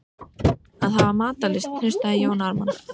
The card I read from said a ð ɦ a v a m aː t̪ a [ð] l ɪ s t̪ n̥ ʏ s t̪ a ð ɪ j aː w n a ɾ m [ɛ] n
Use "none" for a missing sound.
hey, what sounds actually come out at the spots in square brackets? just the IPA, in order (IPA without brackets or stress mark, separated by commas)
none, a